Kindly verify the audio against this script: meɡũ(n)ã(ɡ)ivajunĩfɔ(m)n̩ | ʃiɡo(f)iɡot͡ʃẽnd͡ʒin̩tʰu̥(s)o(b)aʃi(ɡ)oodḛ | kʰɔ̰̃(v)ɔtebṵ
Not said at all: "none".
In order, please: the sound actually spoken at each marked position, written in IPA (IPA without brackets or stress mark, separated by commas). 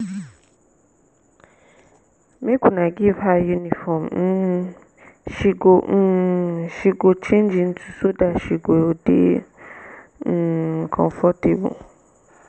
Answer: n, ɡ, m, ʃ, s, d, ɡ, f